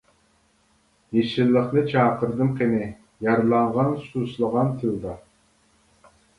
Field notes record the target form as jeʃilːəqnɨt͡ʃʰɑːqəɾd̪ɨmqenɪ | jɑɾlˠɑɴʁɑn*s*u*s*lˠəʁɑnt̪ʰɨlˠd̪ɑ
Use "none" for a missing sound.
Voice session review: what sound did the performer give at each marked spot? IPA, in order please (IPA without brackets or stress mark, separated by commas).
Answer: s, s